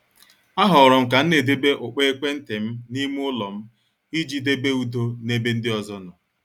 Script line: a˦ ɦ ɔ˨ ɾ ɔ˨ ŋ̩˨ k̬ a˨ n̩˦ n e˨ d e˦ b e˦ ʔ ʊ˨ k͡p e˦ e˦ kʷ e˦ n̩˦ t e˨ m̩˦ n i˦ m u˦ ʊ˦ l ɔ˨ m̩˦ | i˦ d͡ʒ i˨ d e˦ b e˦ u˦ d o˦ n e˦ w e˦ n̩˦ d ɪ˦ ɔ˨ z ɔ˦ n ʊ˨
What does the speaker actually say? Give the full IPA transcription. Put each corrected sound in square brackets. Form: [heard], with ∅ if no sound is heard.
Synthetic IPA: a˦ ɦ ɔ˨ ɾ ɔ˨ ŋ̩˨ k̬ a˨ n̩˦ n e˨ d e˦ b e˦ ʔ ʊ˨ k͡p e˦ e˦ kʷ e˦ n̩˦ t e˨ m̩˦ n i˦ m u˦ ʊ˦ l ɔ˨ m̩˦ | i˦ d͡ʒ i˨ d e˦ b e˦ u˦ d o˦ n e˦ [b] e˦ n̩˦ d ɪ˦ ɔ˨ z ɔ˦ n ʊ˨